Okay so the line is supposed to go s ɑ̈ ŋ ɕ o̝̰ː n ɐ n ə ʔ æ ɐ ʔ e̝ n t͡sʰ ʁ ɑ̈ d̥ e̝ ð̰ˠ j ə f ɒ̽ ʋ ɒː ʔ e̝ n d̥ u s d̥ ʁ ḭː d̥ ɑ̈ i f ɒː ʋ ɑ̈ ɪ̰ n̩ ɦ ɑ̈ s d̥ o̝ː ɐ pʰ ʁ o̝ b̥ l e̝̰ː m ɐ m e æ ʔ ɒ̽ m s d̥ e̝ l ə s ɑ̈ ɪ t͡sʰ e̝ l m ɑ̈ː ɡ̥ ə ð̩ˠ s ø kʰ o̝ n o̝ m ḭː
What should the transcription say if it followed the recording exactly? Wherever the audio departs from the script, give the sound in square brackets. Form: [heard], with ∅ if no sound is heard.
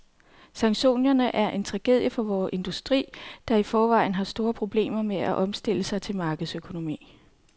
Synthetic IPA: s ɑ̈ ŋ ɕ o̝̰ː n ɐ n ə ʔ æ ɐ ʔ e̝ n t͡sʰ ʁ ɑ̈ [ɡ̥] e̝ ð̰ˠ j ə f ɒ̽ ʋ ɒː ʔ e̝ n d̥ u s d̥ ʁ ḭː d̥ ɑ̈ i f ɒː ʋ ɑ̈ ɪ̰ n̩ ɦ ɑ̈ s d̥ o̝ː ɐ pʰ ʁ o̝ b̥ l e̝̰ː m ɐ m e æ ʔ ɒ̽ m s d̥ e̝ l ə s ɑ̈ ɪ t͡sʰ e̝ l m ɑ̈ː ɡ̥ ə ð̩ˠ s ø kʰ o̝ n o̝ m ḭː